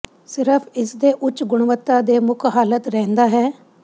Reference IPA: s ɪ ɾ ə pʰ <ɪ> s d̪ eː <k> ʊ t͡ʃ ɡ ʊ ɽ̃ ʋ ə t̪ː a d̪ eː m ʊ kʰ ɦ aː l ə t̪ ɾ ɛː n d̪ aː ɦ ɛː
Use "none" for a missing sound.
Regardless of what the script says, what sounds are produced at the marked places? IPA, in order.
ɪ, ʔ

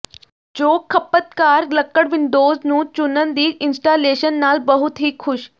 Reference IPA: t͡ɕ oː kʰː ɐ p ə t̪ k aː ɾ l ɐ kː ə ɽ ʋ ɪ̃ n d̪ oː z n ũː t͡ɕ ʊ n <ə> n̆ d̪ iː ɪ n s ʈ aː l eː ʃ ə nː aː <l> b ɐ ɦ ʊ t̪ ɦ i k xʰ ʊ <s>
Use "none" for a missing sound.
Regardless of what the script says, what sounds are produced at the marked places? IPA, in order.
ə, l, ʃ

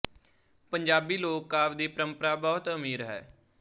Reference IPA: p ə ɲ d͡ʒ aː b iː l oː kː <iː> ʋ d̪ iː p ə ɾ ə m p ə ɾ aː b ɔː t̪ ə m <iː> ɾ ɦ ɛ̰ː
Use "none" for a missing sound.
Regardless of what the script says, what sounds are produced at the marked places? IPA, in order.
aː, iː

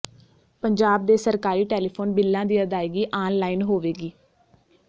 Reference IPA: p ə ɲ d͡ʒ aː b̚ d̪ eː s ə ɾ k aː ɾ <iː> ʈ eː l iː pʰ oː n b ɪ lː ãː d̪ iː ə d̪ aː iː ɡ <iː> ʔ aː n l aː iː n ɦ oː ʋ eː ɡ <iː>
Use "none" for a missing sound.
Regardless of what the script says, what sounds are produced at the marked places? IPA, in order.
iː, iː, iː

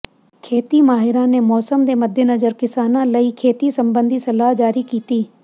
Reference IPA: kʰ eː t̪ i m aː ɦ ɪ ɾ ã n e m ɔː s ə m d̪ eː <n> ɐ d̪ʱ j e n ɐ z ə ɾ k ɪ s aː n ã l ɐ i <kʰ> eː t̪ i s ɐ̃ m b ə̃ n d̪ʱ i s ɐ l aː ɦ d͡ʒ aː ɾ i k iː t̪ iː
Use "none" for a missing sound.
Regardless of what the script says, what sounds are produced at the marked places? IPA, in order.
m, kʰ

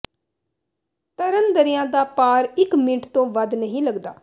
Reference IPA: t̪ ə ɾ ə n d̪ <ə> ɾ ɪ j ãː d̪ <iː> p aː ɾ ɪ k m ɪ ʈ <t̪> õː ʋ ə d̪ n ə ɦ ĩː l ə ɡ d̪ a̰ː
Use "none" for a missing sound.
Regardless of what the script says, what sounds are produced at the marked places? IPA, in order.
ə, aː, t̪

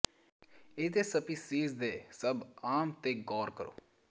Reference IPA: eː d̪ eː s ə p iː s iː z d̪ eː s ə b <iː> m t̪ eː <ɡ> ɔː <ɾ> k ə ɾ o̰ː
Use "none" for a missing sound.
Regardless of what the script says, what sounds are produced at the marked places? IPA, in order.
aː, ɡ, ɾ

